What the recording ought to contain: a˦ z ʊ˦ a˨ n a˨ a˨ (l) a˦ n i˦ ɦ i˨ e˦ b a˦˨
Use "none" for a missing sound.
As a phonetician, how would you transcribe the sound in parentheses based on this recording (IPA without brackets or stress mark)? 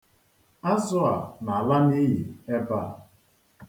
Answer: l